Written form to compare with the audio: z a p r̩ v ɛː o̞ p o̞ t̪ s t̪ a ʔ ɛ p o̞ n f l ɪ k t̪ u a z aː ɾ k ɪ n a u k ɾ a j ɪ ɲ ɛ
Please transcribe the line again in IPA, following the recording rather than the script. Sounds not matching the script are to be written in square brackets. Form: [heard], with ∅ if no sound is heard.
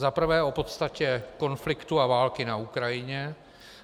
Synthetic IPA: z a p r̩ v ɛː o̞ p o̞ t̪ s t̪ a [c] ɛ [k] o̞ n f l ɪ k t̪ u a [v] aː [l] k ɪ n a u k ɾ a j ɪ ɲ ɛ